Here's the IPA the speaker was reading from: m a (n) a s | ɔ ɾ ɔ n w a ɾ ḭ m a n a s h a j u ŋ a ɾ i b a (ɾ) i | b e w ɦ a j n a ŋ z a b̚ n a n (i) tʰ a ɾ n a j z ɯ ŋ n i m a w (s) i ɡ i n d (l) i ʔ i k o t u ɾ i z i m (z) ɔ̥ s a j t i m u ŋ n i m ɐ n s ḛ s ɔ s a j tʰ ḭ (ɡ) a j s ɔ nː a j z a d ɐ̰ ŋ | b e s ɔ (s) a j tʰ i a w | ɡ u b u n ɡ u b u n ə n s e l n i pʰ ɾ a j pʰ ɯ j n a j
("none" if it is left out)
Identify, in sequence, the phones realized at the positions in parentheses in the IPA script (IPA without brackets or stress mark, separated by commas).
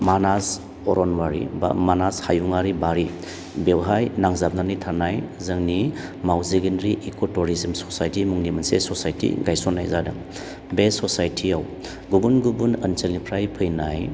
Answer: n, ɾ, i, z, ɾ, s, ɡ, s